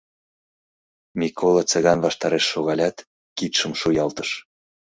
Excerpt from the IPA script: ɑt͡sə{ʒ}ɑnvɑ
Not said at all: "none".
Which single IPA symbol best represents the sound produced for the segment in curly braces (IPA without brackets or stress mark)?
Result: ɣ